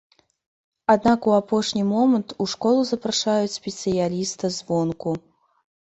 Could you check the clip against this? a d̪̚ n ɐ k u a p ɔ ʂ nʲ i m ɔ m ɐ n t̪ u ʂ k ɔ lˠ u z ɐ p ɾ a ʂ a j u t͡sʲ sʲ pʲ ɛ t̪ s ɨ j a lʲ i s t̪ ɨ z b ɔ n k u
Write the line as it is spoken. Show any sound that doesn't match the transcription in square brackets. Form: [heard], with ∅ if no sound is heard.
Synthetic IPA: a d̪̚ n [a] k u a p ɔ ʂ nʲ i m ɔ m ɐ n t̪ u ʂ k ɔ lˠ u z ɐ p ɾ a ʂ a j u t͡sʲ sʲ pʲ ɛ t̪ s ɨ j a lʲ i s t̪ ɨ z [v] ɔ n k u